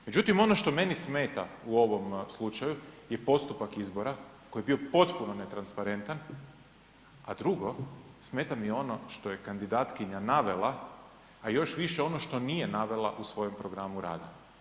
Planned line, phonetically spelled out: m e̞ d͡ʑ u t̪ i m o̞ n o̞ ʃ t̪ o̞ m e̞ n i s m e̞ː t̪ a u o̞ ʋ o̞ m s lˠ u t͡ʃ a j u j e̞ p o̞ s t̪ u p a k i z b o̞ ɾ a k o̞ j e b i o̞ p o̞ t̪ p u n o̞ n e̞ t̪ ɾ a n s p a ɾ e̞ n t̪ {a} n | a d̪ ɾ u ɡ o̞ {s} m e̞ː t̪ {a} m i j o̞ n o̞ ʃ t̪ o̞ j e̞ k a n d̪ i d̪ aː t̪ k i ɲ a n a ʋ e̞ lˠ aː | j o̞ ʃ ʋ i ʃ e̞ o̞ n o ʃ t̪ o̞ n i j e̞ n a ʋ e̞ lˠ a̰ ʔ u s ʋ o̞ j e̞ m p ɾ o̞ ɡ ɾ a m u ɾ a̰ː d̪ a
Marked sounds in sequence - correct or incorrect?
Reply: correct, correct, correct

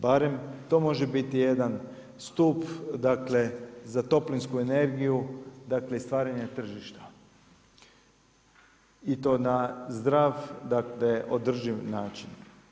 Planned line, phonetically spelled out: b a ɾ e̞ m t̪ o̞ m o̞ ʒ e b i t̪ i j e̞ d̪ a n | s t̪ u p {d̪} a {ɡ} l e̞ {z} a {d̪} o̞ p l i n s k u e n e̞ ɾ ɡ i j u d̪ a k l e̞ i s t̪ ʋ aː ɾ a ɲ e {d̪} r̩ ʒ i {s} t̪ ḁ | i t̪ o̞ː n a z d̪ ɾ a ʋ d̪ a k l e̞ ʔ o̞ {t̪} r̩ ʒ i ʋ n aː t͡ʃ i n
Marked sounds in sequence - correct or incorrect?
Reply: correct, incorrect, correct, incorrect, incorrect, incorrect, incorrect

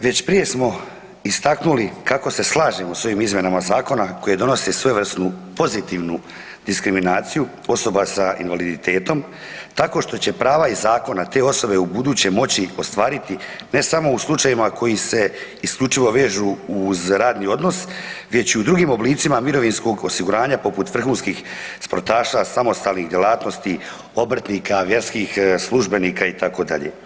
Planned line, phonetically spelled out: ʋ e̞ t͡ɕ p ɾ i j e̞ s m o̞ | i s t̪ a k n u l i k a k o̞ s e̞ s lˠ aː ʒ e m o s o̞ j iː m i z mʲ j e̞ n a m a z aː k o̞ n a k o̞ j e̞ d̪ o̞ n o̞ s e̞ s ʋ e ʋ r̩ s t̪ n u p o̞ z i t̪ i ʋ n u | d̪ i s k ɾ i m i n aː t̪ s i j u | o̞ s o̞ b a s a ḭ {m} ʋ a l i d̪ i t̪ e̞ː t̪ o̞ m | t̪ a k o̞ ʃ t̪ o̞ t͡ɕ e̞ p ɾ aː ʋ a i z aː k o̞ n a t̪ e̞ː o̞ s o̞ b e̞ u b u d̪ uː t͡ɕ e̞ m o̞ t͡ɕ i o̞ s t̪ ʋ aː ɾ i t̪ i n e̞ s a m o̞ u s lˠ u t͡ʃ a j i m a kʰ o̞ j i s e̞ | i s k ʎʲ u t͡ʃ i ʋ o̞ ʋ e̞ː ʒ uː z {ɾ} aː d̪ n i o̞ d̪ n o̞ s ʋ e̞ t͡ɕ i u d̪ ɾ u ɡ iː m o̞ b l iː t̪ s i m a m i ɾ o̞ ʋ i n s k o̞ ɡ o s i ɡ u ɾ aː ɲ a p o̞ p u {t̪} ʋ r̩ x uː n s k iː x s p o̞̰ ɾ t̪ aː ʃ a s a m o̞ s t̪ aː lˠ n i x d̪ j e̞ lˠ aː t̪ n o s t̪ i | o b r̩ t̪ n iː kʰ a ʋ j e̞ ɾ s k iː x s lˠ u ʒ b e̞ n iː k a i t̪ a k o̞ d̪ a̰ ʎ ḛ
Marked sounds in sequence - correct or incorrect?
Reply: incorrect, correct, correct

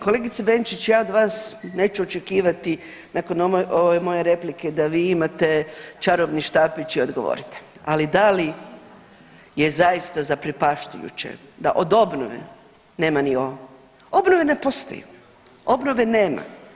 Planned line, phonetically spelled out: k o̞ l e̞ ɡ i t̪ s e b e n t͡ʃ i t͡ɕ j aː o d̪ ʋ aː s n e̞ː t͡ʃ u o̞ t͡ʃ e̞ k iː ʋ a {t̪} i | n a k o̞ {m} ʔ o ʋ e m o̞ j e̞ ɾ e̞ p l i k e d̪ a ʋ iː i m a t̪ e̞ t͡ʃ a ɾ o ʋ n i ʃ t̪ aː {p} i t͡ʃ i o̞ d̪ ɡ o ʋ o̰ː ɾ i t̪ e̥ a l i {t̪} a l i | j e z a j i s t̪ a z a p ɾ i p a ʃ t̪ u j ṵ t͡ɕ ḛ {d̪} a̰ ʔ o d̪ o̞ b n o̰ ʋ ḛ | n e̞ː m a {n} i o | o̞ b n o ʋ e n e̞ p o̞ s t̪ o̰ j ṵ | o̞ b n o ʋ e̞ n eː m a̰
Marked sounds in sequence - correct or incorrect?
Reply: correct, incorrect, correct, incorrect, correct, correct

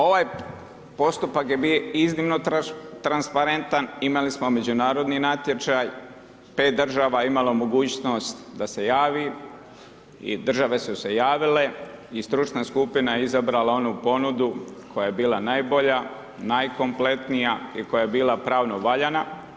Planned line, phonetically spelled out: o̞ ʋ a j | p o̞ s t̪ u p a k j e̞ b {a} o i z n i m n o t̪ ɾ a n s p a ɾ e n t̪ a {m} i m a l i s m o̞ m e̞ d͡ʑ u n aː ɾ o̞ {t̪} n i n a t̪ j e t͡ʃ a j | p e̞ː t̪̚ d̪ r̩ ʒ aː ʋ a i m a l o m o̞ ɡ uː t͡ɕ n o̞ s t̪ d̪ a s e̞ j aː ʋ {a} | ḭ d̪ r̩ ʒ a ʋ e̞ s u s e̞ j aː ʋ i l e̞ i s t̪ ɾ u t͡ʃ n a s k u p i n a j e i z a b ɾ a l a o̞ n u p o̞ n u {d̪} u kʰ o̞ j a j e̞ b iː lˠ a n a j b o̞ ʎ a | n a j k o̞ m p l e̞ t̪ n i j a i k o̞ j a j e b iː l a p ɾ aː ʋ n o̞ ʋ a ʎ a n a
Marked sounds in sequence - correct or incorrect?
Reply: incorrect, incorrect, incorrect, incorrect, correct

